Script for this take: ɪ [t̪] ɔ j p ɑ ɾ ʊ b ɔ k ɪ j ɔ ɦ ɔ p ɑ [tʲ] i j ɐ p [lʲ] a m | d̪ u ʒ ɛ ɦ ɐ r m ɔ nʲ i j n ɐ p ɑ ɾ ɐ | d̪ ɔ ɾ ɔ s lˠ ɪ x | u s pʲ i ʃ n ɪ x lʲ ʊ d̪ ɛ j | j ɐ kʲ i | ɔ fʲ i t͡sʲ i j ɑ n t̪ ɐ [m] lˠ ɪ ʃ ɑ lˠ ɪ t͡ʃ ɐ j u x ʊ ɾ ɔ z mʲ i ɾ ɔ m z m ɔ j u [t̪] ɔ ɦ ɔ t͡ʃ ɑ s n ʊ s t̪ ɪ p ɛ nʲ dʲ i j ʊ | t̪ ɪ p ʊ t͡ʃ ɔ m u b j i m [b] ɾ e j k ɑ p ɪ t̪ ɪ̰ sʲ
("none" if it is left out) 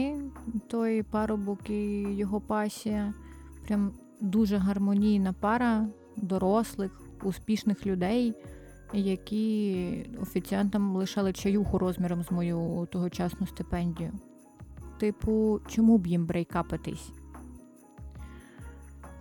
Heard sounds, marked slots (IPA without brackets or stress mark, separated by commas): t̪, sʲ, ɾʲ, m, t̪, b